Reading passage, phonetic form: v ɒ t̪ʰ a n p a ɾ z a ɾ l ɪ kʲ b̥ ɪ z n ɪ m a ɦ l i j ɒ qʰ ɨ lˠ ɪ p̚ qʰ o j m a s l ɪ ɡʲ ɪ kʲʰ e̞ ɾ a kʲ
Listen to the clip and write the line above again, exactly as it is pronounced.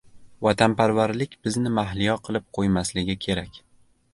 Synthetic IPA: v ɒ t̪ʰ a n p a ɾ v a ɾ l ɪ kʲ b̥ ɪ z n ɪ m a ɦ l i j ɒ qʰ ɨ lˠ ɪ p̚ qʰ o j m a s l ɪ ɡʲ ɪ kʲʰ e̞ ɾ a kʲ